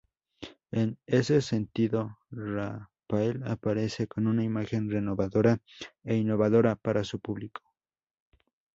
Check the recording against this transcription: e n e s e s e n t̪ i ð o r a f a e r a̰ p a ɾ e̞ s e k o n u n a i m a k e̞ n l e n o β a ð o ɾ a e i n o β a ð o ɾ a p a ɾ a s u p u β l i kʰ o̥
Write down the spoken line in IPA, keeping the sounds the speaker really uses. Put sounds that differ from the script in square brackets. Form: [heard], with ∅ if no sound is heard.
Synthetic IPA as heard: e n e s e s e n t̪ i ð o r a f a e [l] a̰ p a ɾ e̞ s e k o n u n a i m a [x] e̞ n [r] e n o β a ð o ɾ a e i n o β a ð o ɾ a p a ɾ a s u p u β l i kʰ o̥

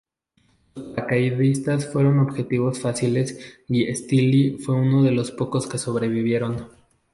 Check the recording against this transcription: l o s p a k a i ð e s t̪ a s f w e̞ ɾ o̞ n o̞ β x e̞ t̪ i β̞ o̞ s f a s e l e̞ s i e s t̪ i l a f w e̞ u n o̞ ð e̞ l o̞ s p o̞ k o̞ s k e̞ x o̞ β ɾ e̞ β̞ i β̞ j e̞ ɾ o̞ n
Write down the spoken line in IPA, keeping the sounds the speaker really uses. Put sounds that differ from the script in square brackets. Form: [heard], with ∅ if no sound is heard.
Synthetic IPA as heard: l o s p a k a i ð [i] s t̪ a s f w e̞ ɾ o̞ n o̞ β x e̞ t̪ i β̞ o̞ s f a s [i] l e̞ s i e s t̪ i l [i] f w e̞ u n o̞ ð e̞ l o̞ s p o̞ k o̞ s k e̞ [s] o̞ β ɾ e̞ β̞ i β̞ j e̞ ɾ o̞ n

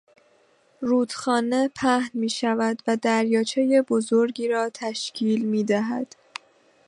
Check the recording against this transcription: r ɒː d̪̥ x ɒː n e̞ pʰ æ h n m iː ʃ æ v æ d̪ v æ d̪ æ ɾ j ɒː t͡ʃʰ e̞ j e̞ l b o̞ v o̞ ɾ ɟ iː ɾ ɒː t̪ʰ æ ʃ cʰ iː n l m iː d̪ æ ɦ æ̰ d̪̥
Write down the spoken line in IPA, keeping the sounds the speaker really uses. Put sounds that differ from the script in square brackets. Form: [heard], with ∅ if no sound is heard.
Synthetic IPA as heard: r [uː] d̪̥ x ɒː n e̞ pʰ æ h n m iː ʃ æ v æ d̪ v æ d̪ æ ɾ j ɒː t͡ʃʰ e̞ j e̞ [∅] b o̞ [z] o̞ ɾ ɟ iː ɾ ɒː t̪ʰ æ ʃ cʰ iː [∅] l m iː d̪ æ ɦ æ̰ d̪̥

